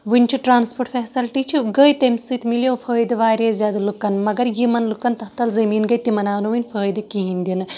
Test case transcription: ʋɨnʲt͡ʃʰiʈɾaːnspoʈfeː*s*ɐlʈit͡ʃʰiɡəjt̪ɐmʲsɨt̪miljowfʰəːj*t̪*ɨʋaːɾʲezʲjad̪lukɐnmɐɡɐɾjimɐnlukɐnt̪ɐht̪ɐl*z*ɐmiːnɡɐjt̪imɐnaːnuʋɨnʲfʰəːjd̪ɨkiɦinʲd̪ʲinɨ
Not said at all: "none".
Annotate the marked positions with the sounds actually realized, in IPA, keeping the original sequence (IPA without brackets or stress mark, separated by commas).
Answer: s, d̪, z